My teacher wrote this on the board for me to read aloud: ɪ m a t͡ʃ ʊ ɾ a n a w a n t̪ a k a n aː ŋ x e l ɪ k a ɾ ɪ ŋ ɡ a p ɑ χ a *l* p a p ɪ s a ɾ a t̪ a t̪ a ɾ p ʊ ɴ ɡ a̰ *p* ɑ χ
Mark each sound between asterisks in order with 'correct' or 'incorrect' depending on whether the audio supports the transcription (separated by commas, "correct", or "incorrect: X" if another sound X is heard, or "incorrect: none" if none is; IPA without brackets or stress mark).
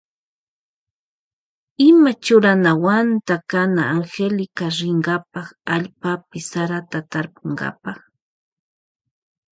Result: incorrect: ʎ, correct